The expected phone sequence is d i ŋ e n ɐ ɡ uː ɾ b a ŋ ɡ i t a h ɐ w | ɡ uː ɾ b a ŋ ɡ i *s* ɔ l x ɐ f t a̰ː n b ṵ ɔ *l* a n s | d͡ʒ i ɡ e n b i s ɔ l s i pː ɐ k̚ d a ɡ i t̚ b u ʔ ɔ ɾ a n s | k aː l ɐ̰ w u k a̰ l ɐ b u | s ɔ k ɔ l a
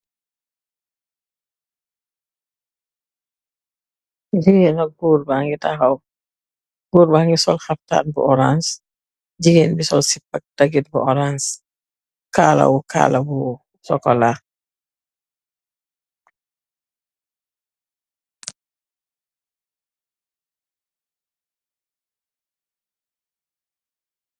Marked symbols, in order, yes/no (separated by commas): yes, no